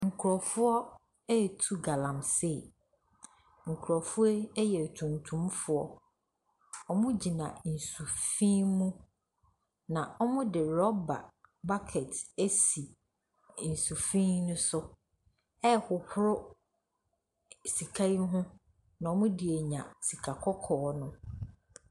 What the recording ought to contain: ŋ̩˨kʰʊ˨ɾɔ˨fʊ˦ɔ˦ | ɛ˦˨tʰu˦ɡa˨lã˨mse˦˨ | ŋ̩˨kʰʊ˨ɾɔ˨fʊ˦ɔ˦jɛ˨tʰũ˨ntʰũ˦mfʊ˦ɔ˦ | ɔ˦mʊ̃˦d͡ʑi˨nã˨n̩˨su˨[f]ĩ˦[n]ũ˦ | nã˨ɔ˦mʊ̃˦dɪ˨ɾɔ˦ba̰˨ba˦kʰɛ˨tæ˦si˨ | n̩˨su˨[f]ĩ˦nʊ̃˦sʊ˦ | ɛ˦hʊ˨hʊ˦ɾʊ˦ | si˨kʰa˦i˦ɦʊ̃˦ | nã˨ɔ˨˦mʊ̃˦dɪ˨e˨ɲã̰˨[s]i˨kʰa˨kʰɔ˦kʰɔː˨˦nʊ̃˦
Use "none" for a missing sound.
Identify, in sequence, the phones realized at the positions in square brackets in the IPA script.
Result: f, m, f, s

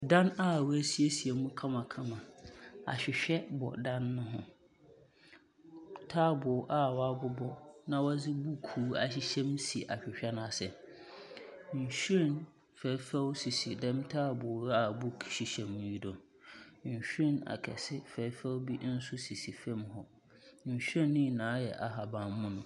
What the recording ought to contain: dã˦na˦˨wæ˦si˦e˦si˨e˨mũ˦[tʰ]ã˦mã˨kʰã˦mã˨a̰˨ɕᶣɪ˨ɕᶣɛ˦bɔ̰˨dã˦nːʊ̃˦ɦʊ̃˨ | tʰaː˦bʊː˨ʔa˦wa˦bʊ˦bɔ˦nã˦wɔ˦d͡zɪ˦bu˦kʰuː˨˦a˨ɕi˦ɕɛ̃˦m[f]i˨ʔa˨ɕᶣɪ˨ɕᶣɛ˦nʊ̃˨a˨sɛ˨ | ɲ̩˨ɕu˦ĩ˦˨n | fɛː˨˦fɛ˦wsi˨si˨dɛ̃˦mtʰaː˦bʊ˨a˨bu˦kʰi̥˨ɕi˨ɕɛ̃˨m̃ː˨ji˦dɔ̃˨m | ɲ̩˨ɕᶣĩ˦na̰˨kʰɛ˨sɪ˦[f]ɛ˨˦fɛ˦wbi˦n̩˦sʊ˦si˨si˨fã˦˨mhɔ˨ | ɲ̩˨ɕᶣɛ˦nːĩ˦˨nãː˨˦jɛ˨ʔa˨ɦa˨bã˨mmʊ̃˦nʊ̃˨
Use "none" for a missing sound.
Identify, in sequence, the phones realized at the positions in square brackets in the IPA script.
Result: kʰ, s, f

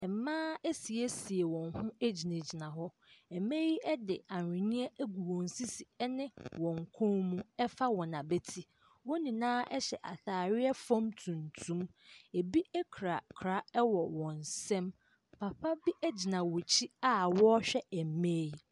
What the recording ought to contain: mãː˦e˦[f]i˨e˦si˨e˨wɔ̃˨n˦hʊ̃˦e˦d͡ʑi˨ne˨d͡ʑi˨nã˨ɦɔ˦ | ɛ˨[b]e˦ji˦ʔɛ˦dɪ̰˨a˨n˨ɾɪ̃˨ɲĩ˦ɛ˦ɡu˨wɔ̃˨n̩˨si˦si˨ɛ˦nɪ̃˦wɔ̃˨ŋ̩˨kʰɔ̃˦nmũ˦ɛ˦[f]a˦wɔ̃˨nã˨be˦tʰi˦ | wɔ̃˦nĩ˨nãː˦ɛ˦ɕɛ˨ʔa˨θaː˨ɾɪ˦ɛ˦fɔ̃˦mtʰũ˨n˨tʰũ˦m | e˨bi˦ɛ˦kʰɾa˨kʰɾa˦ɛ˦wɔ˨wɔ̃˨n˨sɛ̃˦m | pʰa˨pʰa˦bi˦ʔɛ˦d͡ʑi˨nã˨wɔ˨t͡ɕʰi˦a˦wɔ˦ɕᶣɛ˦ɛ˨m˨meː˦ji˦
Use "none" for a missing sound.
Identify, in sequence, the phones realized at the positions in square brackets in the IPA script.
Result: s, m, f

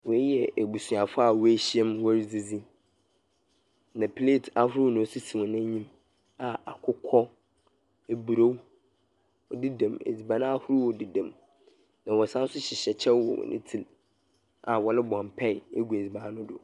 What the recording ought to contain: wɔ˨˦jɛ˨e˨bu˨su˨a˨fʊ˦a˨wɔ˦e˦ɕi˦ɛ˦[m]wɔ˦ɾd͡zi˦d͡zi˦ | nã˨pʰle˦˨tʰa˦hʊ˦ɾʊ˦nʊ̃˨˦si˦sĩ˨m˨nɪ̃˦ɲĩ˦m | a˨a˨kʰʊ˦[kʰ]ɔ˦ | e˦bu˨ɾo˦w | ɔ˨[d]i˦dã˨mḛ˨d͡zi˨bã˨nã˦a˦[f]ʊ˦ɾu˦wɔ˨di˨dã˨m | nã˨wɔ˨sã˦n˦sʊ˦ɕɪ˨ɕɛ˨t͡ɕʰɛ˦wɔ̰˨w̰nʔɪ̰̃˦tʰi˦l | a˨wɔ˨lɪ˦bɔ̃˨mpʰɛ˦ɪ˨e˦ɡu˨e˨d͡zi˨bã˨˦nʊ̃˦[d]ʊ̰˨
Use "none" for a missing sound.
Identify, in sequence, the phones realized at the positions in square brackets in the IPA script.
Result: m, kʰ, d, h, d

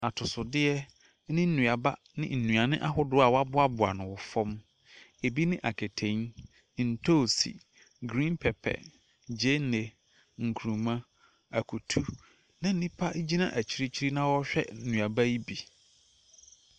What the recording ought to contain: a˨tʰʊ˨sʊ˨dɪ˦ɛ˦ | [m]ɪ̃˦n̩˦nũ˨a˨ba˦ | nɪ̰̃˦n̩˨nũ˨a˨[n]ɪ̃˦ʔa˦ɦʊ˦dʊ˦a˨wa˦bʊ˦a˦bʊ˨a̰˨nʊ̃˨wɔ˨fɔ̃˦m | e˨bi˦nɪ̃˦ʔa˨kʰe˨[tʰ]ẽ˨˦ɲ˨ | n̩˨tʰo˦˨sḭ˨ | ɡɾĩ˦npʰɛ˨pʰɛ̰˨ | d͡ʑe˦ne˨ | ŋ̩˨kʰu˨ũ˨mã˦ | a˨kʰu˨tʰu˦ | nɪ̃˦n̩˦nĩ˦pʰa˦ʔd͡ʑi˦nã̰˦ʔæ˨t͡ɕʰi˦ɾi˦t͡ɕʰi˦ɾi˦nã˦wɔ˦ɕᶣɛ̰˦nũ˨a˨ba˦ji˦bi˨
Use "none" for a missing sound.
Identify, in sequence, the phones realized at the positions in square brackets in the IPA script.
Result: n, n, tʰ

